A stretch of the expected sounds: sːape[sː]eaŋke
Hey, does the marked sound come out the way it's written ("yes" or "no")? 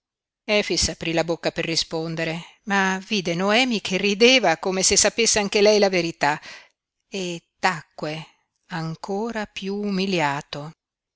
yes